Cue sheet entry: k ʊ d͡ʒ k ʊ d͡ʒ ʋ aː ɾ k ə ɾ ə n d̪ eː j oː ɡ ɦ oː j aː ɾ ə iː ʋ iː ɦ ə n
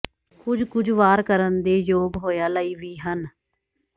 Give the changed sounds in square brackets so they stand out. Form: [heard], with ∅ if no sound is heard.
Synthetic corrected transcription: k ʊ d͡ʒ k ʊ d͡ʒ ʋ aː ɾ k ə ɾ ə n d̪ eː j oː ɡ ɦ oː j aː [l] ə iː ʋ iː ɦ ə n